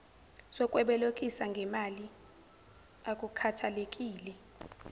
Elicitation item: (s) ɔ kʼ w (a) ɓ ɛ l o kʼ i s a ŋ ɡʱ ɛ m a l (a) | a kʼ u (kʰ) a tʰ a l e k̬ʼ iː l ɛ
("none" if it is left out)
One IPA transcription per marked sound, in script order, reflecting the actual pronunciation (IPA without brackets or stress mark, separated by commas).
s, ɛ, i, kʰ